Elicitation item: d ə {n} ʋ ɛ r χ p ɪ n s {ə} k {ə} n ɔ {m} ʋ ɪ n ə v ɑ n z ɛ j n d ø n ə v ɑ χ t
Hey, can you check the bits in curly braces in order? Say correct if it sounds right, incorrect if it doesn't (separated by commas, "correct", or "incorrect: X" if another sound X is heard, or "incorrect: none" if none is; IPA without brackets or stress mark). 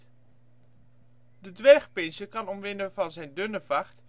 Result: incorrect: d, correct, incorrect: ɑ, correct